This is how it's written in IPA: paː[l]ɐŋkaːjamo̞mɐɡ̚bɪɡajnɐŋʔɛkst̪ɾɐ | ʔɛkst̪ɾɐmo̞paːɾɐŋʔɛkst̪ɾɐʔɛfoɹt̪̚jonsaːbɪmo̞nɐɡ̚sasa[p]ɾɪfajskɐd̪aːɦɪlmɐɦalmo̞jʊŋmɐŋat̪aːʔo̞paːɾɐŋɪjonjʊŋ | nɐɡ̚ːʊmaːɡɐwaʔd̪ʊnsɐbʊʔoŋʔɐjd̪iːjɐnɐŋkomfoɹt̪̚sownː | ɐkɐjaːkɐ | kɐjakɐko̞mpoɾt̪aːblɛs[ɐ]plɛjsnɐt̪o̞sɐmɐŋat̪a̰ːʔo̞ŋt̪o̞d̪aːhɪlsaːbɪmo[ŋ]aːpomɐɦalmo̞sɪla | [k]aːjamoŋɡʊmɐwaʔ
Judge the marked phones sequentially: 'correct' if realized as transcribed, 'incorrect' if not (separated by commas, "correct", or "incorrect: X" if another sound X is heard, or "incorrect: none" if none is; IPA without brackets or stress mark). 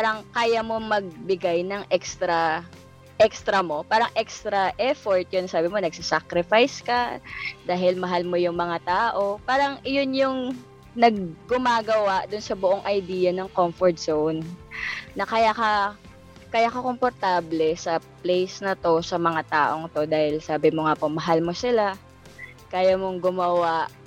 incorrect: ɾ, incorrect: k, correct, correct, correct